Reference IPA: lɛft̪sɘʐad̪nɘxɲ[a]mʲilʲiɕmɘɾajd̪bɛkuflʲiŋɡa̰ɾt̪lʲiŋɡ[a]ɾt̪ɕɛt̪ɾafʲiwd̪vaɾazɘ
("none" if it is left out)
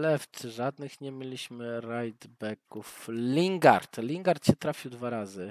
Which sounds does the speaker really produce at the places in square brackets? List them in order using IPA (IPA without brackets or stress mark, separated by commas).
ɛ, a